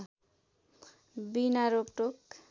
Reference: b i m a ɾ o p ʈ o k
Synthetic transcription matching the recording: b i n a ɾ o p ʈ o k